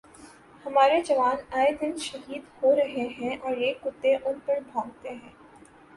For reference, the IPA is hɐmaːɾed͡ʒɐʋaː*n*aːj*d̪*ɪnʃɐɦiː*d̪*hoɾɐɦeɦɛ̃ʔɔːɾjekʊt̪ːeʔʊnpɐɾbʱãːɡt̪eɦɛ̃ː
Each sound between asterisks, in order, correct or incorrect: correct, correct, correct

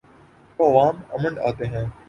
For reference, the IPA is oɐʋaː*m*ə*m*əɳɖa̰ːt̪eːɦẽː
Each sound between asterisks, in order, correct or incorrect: correct, correct

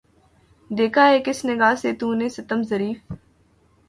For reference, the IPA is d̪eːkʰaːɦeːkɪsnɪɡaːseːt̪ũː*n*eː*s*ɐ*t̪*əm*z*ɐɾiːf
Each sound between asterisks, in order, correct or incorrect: correct, correct, correct, correct

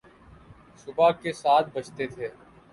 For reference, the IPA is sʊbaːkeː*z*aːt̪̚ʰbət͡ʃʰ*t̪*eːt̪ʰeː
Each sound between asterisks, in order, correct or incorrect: incorrect, correct

